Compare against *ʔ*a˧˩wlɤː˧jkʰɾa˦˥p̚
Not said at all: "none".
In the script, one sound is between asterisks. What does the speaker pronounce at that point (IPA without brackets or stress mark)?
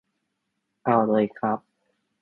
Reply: ʔ